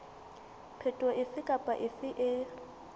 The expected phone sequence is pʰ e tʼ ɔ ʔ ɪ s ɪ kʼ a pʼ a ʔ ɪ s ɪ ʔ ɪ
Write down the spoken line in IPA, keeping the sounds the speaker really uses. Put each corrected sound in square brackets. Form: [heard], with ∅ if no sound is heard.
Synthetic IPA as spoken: pʰ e tʼ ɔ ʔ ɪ s ɪ kʼ a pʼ a ʔ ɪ s ɪ ʔ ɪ